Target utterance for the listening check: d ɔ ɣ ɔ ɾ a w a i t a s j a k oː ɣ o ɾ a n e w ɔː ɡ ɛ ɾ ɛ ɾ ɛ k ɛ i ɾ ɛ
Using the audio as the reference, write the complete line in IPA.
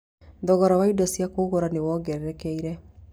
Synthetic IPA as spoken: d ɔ ɣ ɔ ɾ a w a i d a s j a k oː ɣ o ɾ a n e w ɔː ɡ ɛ ɾ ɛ ɾ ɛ k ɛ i ɾ ɛ